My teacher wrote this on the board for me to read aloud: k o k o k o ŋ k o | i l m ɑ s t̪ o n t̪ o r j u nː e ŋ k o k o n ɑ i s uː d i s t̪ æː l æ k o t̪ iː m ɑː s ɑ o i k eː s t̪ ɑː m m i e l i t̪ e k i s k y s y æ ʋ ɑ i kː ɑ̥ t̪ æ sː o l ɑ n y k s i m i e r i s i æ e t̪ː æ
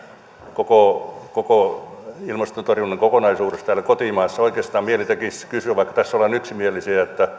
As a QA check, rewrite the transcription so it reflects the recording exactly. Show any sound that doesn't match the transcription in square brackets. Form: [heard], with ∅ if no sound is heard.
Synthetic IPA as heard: k o k o k o [∅] k o | i l m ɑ s t̪ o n t̪ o r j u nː e ŋ k o k o n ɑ i s uː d [e] s t̪ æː l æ k o t̪ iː m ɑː [sː] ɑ o i k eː s t̪ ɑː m m i e l i t̪ e k i s k y s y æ ʋ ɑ i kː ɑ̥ t̪ æ sː o l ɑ n y k s i m i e [l] i s i æ e t̪ː æ